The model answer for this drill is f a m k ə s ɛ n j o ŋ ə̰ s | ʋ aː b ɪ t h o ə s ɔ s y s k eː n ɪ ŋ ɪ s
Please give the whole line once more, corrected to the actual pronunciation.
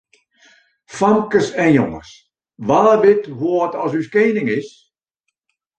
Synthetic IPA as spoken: f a m k ə s ɛ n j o ŋ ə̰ s | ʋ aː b ɪ t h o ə t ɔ s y s k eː n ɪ ŋ ɪ s